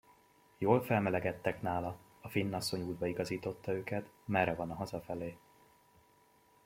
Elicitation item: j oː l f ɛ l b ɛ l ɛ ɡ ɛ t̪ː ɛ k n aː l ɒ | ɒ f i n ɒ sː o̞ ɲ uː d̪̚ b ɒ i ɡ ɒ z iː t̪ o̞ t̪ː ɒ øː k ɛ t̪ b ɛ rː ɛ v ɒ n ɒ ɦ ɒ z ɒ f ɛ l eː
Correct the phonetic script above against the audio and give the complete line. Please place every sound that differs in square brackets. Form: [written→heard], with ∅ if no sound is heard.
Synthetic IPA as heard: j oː l f ɛ l [b→m] ɛ l ɛ ɡ ɛ t̪ː ɛ k n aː l ɒ | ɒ f i [n→nː] ɒ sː o̞ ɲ uː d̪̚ b ɒ i ɡ ɒ z iː t̪ o̞ t̪ː ɒ øː k ɛ t̪ [b→m] ɛ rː ɛ v ɒ n ɒ ɦ ɒ z ɒ f ɛ l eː